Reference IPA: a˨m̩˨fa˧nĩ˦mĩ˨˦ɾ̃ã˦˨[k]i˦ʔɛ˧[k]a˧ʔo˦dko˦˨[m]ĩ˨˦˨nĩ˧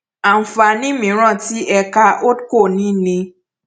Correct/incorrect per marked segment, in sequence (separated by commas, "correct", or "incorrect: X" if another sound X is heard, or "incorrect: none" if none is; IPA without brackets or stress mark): incorrect: t, correct, incorrect: n